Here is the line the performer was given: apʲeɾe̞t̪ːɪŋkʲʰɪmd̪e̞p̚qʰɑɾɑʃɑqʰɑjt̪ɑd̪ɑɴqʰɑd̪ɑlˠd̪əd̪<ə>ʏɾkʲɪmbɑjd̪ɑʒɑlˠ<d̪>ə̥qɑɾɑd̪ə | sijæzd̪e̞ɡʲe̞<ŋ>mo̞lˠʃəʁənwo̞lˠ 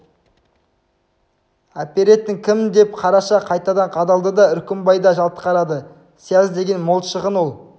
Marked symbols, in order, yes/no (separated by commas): no, no, no